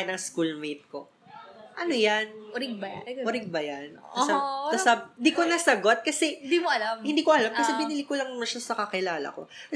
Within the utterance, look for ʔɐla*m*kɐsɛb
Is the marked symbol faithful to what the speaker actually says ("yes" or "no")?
yes